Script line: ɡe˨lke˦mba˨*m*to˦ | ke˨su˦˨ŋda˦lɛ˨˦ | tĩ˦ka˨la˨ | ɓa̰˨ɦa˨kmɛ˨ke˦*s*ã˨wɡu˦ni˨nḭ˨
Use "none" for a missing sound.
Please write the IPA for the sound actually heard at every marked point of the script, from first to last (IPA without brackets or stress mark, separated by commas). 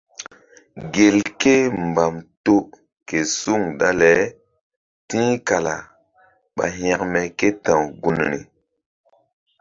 m, t